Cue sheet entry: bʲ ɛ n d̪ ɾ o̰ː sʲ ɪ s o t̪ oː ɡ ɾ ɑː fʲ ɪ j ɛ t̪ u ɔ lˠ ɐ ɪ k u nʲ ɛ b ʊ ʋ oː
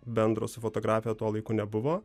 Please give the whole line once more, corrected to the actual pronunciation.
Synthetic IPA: bʲ ɛ n d̪ ɾ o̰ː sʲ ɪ f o t̪ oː ɡ ɾ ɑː fʲ ɪ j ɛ t̪ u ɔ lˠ ɐ ɪ k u nʲ ɛ b ʊ ʋ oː